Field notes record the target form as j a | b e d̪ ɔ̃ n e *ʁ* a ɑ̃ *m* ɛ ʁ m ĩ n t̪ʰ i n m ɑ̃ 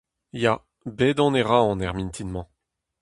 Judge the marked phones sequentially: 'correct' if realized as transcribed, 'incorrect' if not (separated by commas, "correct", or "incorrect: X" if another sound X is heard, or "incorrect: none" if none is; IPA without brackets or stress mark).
correct, incorrect: n